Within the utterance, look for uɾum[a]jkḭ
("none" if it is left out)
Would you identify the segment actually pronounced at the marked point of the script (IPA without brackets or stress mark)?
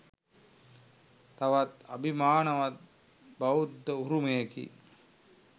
e